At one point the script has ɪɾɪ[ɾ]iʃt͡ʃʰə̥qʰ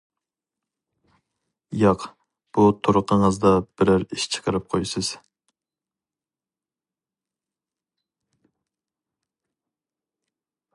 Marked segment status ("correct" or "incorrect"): correct